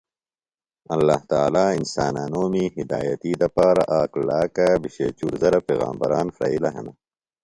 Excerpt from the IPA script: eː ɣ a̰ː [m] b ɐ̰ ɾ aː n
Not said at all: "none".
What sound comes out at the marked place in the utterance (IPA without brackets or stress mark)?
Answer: m